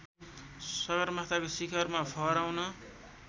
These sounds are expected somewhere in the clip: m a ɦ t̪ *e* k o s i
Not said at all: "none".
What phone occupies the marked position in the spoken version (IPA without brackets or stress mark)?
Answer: a